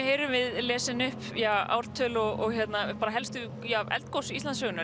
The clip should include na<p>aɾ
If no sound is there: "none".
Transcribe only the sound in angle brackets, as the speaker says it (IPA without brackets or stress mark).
p